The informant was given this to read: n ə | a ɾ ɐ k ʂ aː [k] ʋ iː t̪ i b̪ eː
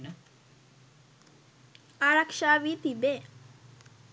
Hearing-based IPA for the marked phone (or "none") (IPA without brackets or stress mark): none